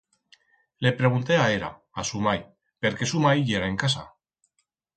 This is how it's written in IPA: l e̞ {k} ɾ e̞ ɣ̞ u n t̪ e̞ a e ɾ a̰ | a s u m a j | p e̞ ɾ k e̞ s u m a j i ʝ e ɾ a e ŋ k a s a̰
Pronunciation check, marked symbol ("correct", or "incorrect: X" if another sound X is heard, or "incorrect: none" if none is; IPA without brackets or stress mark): incorrect: p